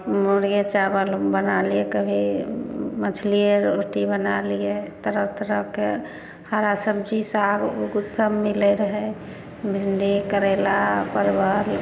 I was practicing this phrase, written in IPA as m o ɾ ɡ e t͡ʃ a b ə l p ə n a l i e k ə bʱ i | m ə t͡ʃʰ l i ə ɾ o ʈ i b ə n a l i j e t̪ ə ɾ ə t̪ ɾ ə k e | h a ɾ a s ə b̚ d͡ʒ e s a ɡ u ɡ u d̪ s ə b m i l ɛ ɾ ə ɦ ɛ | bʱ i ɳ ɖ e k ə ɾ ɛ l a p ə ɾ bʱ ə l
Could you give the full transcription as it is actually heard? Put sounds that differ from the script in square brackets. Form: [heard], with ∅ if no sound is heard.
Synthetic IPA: m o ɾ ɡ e t͡ʃ a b ə l [b] ə n a l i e k ə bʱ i | m ə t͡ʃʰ l i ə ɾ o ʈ i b ə n a l i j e t̪ ə ɾ ə t̪ ɾ ə k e | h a ɾ a s ə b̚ d͡ʒ [i] s a ɡ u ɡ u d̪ s ə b m i l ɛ ɾ ə ɦ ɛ | bʱ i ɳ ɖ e k ə ɾ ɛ l a p ə ɾ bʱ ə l